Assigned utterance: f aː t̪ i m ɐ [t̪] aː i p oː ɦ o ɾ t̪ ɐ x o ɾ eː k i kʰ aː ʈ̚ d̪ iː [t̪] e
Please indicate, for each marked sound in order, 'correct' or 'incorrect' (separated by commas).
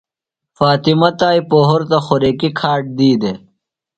correct, incorrect